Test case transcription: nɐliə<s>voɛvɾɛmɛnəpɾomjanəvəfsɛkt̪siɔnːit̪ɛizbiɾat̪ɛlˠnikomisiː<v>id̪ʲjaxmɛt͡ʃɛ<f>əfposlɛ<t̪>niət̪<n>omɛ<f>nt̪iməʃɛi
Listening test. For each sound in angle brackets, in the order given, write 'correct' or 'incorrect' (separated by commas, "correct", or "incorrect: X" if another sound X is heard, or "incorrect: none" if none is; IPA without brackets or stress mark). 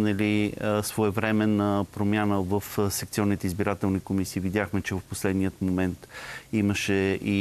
correct, correct, incorrect: v, incorrect: d̪, incorrect: m, incorrect: none